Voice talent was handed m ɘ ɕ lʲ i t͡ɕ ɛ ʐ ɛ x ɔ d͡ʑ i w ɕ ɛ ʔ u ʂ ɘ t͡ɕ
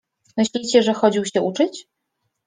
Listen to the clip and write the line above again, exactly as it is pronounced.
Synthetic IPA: m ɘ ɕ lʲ i t͡ɕ ɛ ʐ ɛ x ɔ d͡ʑ i w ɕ ɛ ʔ u t͡ʂ ɘ t͡ɕ